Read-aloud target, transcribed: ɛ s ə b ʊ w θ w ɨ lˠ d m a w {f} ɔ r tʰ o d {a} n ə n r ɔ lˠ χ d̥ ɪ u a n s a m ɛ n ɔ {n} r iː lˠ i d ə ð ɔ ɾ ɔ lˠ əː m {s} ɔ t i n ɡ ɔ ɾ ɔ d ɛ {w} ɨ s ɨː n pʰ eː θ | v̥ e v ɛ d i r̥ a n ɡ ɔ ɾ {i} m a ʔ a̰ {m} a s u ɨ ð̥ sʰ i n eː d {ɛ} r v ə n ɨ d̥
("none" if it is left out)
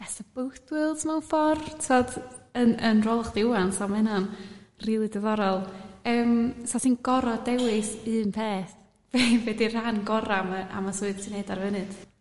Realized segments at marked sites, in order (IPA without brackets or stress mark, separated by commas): f, ə, n, s, w, a, m, a